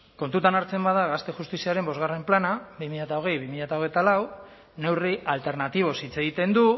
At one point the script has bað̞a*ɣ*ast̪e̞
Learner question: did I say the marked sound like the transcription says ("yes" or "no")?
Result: yes